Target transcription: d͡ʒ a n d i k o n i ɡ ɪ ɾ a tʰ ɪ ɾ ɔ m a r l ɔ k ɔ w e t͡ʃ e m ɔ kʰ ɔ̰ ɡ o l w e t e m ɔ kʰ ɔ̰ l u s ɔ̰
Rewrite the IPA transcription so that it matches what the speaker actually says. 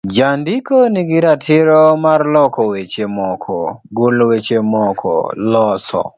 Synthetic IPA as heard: d͡ʒ a n d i k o n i ɡ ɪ ɾ a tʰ ɪ ɾ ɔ m a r l ɔ k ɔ w e t͡ʃ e m ɔ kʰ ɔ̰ ɡ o l w e t͡ʃ e m ɔ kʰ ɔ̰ l ɔ s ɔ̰